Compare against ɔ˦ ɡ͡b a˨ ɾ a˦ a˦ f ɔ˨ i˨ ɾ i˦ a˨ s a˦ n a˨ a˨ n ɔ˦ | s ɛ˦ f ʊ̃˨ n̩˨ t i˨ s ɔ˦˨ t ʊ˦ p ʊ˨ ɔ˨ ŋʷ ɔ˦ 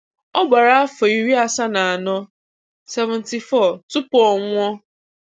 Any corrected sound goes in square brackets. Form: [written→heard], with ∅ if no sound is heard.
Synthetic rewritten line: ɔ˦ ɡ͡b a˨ ɾ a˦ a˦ f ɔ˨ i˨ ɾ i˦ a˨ s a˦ n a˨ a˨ n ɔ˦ | s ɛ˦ [f→v] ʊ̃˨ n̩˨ t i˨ [s→f] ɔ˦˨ t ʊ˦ p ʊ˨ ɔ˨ ŋʷ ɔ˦